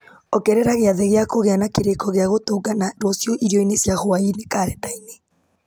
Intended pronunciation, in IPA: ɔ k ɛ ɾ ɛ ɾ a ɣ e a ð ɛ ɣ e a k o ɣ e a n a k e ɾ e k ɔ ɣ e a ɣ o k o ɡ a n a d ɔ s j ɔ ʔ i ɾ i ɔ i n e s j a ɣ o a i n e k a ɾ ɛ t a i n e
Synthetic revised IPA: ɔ k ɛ ɾ ɛ ɾ a ɣ e a ð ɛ ɣ e a k o ɣ e a n a k e ɾ e k ɔ ɣ e a ɣ o t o ɡ a n a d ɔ s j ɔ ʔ i ɾ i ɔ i n e s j a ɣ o a i n e k a ɾ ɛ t a i n e